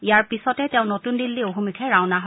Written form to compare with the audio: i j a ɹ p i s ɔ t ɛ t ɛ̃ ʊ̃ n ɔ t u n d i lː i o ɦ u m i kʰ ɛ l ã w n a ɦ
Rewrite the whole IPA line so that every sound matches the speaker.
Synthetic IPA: i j a ɹ p i s ɔ t ɛ t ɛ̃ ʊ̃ n o t u n d i lː i o ɦ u m i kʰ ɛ ɹ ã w n a ɦ